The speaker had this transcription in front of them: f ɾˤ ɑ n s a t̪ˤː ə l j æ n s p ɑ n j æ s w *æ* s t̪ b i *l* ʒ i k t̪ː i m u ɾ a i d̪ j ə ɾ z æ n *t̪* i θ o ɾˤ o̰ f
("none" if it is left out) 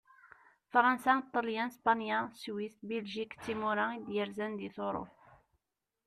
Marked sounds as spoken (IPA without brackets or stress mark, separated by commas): i, l, d̪